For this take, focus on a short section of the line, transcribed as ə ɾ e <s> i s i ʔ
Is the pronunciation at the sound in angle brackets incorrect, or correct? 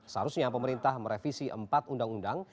incorrect